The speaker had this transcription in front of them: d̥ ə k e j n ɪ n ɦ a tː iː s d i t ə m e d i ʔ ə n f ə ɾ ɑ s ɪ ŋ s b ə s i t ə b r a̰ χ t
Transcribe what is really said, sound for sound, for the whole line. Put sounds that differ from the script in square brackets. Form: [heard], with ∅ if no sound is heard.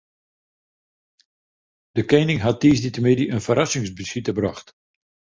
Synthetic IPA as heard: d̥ ə k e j n ɪ [ŋ] ɦ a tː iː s d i t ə m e d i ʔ ə n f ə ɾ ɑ s ɪ ŋ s b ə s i t ə b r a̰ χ t